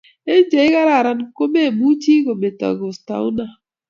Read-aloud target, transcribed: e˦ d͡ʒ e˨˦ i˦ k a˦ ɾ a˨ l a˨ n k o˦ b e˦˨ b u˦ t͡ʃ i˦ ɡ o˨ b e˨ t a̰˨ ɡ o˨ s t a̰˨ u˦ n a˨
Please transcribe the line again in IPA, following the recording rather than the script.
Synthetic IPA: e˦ d͡ʒ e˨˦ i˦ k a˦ ɾ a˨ ɾ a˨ n k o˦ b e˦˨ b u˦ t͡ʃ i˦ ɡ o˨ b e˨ t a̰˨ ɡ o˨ s t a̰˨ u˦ n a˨